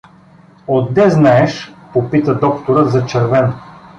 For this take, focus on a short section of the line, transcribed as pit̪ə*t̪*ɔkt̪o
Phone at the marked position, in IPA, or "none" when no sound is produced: d̪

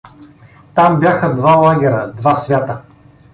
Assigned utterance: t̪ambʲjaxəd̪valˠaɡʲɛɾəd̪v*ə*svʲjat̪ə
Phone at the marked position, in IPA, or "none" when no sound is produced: a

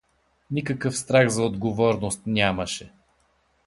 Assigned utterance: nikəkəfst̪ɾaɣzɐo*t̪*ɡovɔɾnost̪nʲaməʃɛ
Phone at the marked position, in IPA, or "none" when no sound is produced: d̪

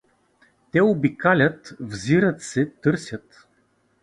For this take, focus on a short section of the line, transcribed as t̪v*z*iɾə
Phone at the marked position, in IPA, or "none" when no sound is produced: z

